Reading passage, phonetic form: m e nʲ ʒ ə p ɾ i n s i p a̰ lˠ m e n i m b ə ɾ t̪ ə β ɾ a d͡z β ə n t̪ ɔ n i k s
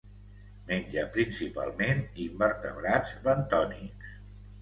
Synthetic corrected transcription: m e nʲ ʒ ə p ɾ i n s i p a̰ lˠ m e n i m b ə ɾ t̪ ə β ɾ a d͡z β ə n t̪ ɔ n i k s